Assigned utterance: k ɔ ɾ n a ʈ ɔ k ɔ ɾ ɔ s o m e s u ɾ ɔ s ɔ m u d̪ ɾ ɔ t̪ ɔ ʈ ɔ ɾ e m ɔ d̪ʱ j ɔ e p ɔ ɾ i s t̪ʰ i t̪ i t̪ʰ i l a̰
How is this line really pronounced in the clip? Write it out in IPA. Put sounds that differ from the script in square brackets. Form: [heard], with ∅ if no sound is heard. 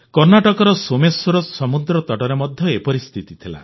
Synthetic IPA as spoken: k ɔ ɾ n a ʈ ɔ k ɔ ɾ ɔ s o m e s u ɾ ɔ s ɔ m u d̪ ɾ ɔ t̪ ɔ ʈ ɔ ɾ e m ɔ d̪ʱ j ɔ e p ɔ ɾ i s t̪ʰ i t̪ i t̪ʰ i l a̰